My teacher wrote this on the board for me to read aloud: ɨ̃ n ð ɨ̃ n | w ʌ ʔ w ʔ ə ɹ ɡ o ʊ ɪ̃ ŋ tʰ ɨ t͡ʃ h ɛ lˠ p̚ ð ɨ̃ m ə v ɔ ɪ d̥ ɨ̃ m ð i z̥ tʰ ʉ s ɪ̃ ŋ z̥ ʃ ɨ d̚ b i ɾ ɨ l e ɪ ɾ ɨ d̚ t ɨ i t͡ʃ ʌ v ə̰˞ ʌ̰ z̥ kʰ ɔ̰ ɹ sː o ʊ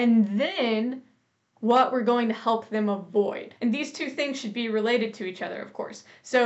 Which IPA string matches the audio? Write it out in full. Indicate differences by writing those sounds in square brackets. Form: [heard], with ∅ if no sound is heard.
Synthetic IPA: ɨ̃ n ð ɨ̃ n | w ʌ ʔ w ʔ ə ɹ ɡ o ʊ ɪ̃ ŋ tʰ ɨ [∅] h ɛ lˠ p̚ ð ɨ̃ m ə v ɔ ɪ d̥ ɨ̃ [n] ð i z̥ tʰ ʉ [θ] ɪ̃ ŋ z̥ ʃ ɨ d̚ b i [ɹ] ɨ l e ɪ ɾ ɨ d̚ [tʰ] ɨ i t͡ʃ ʌ [ð] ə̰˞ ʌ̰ [v̥] kʰ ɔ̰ ɹ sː o ʊ